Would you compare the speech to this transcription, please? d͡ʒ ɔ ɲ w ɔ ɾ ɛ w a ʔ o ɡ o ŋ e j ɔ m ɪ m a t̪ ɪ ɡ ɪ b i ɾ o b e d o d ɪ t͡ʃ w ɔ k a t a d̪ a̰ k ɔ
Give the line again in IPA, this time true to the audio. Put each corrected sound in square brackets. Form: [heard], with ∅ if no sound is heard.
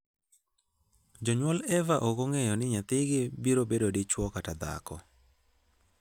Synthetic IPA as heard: d͡ʒ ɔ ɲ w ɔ [l] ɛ [v] a ʔ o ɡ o ŋ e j ɔ [n] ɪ [ɲ] a t̪ ɪ ɡ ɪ b i ɾ o b e d o d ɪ t͡ʃ w ɔ k a t a d̪ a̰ k ɔ